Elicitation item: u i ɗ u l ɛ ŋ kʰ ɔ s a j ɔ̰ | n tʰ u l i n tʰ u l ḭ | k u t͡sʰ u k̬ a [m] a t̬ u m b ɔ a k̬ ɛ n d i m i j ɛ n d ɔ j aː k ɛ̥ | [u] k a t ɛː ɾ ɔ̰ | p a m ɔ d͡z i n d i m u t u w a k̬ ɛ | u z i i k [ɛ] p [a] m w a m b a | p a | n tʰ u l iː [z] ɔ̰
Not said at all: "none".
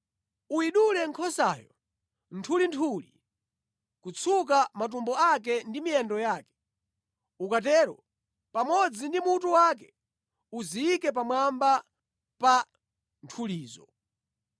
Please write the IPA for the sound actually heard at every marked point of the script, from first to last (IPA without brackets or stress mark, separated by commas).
m, u, ɛ, a, z